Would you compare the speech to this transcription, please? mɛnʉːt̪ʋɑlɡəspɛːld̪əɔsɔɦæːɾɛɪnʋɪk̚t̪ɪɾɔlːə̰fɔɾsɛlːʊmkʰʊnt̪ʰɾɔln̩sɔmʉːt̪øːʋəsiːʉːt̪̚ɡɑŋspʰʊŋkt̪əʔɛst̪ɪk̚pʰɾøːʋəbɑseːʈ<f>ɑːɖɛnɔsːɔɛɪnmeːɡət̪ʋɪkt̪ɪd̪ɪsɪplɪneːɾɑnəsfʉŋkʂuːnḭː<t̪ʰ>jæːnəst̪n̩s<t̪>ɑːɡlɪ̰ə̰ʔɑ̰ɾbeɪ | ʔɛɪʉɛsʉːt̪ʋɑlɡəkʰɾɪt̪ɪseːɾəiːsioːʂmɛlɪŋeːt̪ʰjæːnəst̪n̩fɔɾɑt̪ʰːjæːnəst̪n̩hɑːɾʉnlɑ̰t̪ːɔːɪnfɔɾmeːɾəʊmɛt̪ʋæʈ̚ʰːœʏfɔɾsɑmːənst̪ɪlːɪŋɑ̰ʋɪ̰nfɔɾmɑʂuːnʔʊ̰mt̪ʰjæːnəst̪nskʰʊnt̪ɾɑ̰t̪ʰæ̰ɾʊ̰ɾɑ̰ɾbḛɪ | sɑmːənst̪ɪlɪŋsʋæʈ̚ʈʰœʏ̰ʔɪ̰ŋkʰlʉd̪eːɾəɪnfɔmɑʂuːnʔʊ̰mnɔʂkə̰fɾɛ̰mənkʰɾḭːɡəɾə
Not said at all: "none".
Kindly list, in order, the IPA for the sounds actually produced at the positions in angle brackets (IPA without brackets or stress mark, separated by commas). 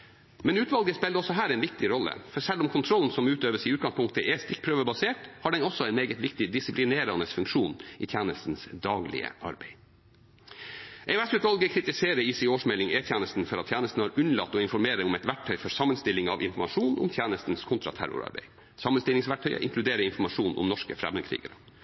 h, t̪ʰ, d̪